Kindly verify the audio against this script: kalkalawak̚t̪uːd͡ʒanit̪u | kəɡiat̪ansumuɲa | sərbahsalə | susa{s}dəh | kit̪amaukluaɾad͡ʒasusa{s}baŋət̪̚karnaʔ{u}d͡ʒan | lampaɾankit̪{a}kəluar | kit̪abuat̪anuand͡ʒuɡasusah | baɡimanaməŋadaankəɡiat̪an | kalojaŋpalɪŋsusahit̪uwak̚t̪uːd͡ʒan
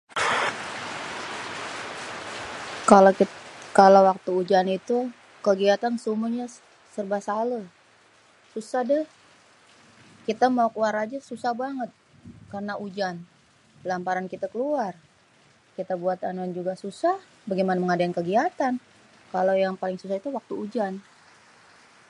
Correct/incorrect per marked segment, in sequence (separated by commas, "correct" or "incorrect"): incorrect, incorrect, correct, correct